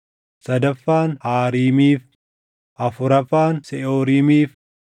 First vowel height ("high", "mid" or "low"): low